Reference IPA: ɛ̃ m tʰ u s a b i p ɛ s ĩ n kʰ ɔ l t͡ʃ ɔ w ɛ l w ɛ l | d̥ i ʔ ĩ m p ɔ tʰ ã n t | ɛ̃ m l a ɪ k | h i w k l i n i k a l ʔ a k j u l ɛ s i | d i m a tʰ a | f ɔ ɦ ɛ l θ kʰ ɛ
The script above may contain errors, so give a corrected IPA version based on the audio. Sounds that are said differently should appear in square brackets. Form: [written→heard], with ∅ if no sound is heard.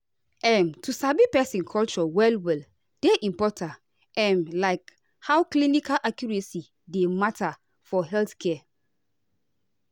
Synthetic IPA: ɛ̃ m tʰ u s a b i p ɛ s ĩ n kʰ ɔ l t͡ʃ ɔ w ɛ l w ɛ l | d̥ [i→e] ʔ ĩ m p ɔ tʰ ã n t | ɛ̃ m l a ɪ k | h [i→a] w k l i n i k a l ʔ a k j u [l→ɹ] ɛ s i | d [i→e] m a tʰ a | f ɔ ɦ ɛ l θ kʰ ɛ